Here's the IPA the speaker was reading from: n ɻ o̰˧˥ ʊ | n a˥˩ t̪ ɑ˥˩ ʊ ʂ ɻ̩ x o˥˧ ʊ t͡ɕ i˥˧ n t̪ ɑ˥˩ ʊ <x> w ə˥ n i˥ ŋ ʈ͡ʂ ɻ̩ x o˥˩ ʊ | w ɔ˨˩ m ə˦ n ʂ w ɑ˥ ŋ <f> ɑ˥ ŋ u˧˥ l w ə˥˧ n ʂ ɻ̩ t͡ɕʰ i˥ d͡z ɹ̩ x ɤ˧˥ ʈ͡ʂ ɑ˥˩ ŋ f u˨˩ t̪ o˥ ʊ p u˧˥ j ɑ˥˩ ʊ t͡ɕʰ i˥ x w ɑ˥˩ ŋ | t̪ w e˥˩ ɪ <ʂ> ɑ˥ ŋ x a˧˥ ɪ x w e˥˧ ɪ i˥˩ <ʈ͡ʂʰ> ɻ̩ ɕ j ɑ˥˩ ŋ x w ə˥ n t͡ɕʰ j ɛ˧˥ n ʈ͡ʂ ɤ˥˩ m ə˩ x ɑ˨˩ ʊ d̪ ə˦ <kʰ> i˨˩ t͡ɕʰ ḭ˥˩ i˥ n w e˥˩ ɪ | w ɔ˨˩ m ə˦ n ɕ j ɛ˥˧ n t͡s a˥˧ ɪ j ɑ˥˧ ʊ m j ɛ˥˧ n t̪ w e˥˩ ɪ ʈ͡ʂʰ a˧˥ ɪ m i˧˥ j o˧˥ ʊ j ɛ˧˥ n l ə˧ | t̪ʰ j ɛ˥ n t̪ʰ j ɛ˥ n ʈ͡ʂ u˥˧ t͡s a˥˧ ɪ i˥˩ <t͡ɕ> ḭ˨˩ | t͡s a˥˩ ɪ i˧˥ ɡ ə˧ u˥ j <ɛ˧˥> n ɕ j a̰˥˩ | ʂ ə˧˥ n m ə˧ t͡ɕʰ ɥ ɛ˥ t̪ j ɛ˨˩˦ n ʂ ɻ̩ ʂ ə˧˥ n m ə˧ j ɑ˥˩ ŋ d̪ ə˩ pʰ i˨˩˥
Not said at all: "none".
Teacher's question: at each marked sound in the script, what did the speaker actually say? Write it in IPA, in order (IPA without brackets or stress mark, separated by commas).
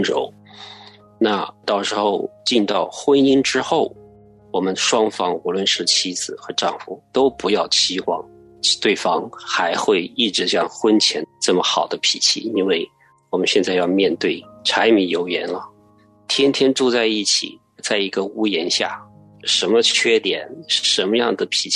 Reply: x, f, f, ʈ͡ʂ, pʰ, t͡ɕʰ, ɛ˧˥